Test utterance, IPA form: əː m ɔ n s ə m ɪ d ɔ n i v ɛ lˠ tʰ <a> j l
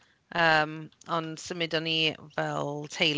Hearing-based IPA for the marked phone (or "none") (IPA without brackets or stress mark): e